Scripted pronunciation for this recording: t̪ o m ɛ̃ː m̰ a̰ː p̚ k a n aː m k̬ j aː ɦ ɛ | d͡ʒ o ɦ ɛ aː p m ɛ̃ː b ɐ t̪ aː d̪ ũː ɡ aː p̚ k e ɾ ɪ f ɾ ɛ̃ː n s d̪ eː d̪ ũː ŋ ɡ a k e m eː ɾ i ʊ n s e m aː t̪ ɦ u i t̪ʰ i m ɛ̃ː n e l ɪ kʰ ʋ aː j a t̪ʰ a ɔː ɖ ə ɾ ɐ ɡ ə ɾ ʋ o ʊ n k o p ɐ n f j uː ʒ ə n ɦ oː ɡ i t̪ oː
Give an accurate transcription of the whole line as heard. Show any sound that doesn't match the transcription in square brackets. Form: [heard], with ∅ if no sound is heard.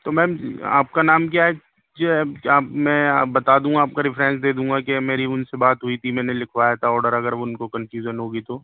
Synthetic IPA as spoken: t̪ o m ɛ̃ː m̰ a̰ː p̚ k a n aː m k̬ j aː ɦ ɛ | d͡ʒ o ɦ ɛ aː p m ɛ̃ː b ɐ t̪ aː d̪ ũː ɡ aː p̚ k [a] ɾ ɪ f ɾ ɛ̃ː n s d̪ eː d̪ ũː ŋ ɡ a k e m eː ɾ i ʊ n s e [b] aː t̪ ɦ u i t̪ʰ i m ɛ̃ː n e l ɪ kʰ ʋ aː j a t̪ʰ a ɔː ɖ ə ɾ ɐ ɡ ə ɾ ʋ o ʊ n k o [k] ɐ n f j uː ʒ ə n ɦ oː ɡ i t̪ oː